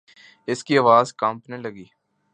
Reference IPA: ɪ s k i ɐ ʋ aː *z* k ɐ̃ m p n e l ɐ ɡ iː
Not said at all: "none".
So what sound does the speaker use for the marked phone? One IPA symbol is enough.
z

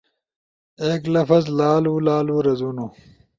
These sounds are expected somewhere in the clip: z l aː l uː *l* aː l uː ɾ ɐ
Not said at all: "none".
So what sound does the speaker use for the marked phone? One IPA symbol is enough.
l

